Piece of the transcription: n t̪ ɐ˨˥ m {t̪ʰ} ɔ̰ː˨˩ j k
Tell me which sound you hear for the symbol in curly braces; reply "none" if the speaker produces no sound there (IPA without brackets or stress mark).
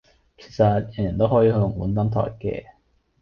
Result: t̪ʰ